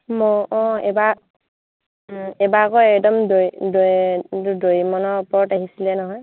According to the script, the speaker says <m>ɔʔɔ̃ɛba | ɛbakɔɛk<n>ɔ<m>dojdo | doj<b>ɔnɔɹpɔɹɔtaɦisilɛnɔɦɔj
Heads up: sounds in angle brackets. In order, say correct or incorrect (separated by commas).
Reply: correct, incorrect, correct, incorrect